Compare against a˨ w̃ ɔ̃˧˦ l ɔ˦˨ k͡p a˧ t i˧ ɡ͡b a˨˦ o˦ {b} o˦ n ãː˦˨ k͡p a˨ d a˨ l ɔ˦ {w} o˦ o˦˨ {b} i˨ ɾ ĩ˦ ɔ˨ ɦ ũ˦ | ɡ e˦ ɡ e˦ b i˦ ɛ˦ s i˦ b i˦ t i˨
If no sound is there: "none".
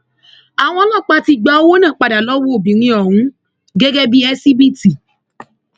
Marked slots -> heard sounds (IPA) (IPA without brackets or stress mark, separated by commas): w, w, b